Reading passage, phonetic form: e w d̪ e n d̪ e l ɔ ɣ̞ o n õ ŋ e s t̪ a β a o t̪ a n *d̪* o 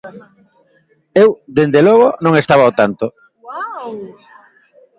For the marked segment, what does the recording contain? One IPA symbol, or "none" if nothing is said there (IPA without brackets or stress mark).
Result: t̪